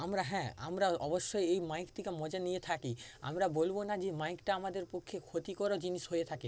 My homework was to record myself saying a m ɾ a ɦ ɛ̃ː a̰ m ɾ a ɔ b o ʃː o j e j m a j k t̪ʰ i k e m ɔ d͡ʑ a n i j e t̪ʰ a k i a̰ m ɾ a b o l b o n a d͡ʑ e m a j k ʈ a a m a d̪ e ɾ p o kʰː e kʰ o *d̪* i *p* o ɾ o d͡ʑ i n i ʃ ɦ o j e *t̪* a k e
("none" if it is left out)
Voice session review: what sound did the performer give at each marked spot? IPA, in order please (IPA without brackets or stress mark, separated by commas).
t̪, k, t̪ʰ